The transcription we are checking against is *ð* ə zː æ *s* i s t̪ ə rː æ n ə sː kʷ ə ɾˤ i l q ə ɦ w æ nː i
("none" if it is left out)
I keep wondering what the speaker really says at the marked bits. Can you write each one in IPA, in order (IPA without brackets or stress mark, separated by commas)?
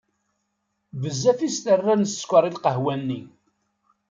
v, f